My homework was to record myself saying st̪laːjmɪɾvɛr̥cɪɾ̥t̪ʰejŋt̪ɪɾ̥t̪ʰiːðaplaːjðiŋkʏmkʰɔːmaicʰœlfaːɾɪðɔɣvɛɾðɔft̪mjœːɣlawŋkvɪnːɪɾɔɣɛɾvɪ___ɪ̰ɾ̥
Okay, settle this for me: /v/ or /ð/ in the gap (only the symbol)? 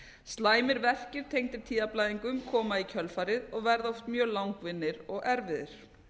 ð